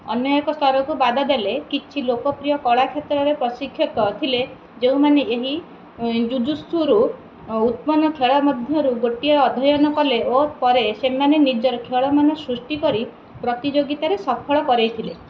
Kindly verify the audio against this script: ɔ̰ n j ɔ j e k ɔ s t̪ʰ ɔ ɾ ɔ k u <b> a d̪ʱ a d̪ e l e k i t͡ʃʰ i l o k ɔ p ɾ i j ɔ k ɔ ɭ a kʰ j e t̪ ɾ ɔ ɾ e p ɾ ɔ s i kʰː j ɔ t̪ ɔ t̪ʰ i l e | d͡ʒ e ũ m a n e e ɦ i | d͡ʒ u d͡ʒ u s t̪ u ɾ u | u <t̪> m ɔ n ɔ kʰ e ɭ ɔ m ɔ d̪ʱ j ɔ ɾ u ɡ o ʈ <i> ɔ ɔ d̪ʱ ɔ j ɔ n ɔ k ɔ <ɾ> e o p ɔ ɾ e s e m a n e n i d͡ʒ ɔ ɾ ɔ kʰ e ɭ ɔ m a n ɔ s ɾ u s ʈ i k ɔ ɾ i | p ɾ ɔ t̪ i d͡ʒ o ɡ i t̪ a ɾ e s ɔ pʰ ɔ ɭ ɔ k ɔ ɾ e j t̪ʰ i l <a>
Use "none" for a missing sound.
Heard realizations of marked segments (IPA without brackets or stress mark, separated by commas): b, t̪, i, l, e